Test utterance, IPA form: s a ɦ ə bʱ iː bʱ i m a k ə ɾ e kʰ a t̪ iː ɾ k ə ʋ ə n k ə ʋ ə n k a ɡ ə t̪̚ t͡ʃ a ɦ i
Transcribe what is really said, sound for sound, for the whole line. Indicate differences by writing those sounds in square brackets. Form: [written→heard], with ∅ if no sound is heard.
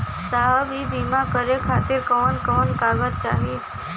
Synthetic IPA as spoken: s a ɦ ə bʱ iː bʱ i m a k ə ɾ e kʰ a t̪ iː ɾ k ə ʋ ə n k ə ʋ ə n k a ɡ ə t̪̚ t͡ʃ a ɦ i